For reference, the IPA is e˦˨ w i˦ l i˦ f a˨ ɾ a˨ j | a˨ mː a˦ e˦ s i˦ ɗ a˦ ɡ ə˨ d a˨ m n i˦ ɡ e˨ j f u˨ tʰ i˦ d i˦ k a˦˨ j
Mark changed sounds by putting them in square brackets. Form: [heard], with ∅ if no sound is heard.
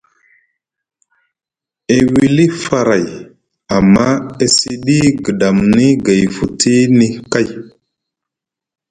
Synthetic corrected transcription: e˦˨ w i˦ l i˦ f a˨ ɾ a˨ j | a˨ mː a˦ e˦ s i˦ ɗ [i˦] ɡ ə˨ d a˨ m n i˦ ɡ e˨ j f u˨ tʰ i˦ [n] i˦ k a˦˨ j